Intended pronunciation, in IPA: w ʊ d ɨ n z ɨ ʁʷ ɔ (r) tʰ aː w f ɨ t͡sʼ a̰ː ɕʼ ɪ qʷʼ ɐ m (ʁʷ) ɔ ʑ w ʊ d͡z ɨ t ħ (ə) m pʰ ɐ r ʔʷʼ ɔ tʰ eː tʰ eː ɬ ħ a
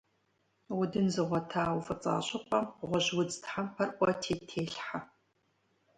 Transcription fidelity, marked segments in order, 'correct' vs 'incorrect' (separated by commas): incorrect, correct, incorrect